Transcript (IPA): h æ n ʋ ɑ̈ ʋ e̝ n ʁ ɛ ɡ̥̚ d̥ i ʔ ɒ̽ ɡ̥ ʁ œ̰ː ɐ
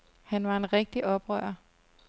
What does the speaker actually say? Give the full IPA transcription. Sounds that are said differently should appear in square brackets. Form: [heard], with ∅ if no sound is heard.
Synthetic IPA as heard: h æ n ʋ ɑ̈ [∅] e̝ n ʁ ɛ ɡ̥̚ d̥ i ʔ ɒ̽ [b̥] ʁ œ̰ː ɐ